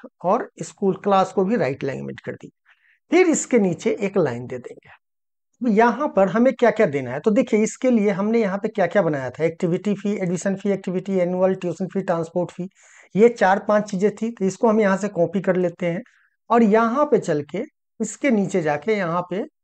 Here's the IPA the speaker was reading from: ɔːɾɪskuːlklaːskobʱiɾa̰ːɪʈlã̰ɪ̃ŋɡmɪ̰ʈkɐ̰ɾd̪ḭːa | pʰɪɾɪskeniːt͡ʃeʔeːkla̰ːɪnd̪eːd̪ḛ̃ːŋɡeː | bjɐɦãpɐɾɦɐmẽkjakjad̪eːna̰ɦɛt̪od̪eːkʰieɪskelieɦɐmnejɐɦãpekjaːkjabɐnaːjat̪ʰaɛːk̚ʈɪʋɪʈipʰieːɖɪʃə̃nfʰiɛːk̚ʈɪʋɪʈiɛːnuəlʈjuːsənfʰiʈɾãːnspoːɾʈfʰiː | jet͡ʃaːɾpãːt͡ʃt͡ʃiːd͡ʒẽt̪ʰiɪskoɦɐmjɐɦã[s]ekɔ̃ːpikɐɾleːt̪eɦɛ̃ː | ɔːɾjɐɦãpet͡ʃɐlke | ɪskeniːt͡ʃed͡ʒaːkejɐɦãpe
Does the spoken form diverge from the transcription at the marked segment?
no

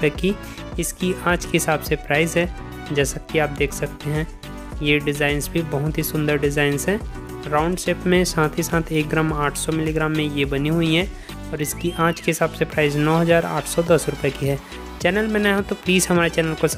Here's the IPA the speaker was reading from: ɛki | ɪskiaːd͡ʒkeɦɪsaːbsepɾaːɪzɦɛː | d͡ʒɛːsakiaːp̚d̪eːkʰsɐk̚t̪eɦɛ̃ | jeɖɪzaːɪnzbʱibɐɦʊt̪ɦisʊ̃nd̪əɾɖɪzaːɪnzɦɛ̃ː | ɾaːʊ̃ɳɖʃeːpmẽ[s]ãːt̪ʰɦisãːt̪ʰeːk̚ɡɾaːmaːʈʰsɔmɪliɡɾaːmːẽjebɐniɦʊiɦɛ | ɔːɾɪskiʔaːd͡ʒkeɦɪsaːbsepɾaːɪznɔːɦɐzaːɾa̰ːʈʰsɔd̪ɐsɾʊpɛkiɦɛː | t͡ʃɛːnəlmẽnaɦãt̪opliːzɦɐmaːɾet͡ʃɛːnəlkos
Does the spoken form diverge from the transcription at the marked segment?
no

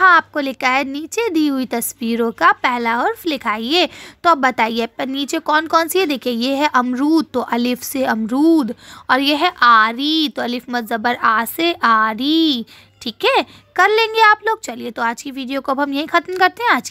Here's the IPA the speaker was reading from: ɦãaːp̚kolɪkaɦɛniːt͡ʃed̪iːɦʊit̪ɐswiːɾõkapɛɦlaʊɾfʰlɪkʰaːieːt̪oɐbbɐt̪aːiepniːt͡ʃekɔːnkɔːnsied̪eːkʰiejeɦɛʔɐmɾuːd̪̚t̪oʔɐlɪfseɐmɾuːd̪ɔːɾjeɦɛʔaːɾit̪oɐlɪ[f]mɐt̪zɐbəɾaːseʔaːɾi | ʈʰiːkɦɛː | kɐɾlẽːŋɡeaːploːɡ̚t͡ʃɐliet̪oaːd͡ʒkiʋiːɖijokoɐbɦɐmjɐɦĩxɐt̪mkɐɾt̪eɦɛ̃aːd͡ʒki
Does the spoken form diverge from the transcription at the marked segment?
no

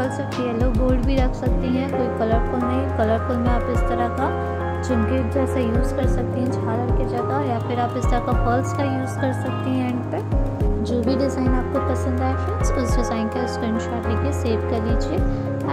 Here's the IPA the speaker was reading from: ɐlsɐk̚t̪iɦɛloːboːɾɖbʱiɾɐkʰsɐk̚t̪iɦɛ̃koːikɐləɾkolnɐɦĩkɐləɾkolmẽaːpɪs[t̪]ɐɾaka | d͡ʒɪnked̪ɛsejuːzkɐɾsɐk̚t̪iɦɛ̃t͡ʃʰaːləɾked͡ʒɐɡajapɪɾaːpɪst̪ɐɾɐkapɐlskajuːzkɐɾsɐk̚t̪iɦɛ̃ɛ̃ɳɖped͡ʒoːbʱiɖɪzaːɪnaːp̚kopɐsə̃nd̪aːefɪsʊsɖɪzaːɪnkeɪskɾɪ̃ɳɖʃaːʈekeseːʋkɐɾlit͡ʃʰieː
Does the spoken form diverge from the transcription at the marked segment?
no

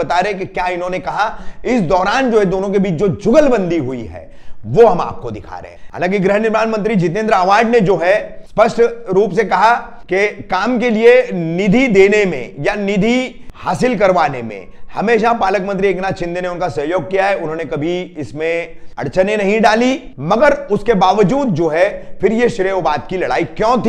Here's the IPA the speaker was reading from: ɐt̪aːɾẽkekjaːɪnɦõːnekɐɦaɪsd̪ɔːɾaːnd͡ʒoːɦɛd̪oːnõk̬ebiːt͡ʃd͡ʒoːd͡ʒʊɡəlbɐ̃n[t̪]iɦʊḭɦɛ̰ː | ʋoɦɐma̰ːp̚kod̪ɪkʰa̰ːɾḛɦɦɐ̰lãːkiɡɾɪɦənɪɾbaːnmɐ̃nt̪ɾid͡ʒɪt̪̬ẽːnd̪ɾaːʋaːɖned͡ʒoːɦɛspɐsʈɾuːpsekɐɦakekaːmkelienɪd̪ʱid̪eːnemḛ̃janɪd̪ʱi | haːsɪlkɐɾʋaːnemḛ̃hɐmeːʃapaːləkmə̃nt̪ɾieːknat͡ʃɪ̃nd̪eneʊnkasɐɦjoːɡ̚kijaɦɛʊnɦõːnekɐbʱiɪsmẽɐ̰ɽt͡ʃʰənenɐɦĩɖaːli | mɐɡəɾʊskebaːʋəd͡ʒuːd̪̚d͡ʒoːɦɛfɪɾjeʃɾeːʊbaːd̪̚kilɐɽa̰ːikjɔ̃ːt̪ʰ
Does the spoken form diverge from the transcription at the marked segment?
yes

